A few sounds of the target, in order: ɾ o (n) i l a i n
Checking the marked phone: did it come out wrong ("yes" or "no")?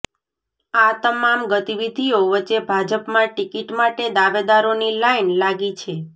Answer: no